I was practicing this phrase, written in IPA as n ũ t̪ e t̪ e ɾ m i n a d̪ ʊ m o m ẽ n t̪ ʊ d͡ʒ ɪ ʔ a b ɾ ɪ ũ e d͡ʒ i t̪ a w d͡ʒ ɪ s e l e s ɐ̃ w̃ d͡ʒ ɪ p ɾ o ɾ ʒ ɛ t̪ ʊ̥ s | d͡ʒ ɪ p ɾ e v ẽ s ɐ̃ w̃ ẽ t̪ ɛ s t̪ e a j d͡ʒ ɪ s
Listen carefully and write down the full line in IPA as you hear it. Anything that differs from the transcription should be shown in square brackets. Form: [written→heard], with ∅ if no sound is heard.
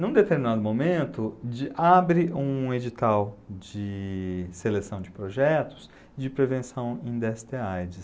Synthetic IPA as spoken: n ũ [t̪→d̪] e t̪ e ɾ m i n a d̪ ʊ m o m ẽ n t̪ ʊ d͡ʒ ɪ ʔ a b ɾ ɪ ũ e d͡ʒ i t̪ a w d͡ʒ ɪ s e l e s ɐ̃ w̃ d͡ʒ ɪ p ɾ o [ɾ→∅] ʒ ɛ t̪ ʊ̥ s | d͡ʒ ɪ p ɾ e v ẽ s ɐ̃ w̃ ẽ [t̪→d̪] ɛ s t̪ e a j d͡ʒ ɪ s